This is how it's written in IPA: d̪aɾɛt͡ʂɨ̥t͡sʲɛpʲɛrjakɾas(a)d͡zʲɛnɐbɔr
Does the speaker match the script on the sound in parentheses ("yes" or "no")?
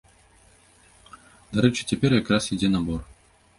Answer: no